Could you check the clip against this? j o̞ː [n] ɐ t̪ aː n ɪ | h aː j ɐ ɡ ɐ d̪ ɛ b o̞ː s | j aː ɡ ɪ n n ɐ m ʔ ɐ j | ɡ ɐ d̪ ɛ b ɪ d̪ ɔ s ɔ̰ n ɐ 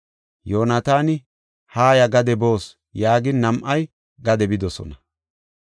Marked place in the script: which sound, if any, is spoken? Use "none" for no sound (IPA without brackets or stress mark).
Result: n